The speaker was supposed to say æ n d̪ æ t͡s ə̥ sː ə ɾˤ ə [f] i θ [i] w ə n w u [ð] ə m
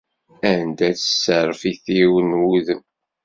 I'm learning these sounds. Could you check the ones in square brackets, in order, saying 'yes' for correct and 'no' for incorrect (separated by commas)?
yes, yes, yes